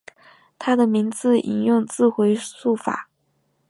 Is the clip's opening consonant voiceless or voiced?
voiceless